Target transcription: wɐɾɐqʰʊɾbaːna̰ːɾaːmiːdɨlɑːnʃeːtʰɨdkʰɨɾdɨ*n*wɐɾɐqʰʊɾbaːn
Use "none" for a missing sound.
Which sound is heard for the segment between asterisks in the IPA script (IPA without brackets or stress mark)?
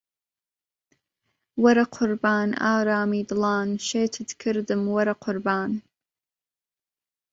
m